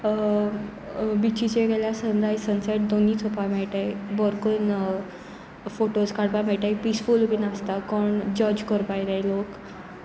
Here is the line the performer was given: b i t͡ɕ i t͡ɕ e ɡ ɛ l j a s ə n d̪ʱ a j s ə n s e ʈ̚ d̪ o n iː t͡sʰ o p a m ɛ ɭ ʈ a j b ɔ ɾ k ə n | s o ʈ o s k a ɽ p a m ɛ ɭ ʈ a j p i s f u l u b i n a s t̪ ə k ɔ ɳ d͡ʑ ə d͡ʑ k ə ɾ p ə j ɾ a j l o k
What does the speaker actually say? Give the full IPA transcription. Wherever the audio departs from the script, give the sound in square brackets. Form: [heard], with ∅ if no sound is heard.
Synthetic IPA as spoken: b i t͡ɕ i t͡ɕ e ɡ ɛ l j a s ə n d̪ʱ a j s ə n s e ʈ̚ d̪ o n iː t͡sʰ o p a m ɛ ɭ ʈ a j b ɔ ɾ k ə n | [f] o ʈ o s k a ɽ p a m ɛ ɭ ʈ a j p i s f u l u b i n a s t̪ [a] k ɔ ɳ d͡ʑ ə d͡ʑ k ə ɾ p [a] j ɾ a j l o k